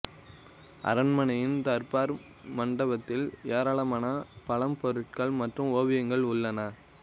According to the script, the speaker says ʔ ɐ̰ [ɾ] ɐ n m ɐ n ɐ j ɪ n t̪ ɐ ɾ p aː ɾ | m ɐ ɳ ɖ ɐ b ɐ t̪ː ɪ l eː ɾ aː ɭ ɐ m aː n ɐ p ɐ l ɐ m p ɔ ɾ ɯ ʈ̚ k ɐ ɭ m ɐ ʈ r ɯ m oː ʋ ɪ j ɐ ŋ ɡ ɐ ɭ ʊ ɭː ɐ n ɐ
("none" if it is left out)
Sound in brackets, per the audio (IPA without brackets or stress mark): ɾ